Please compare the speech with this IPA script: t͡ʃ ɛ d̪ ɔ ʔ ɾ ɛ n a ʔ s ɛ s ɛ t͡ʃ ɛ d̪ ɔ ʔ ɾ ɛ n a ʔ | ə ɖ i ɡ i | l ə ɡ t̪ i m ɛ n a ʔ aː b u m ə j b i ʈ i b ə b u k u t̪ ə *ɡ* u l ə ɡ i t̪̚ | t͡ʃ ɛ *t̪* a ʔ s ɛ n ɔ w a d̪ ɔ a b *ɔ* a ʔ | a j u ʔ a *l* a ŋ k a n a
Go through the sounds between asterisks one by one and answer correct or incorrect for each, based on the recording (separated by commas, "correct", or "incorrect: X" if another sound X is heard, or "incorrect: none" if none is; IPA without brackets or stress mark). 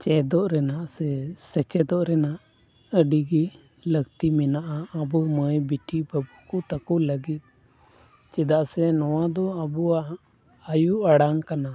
incorrect: k, incorrect: d̪, incorrect: u, incorrect: ɽ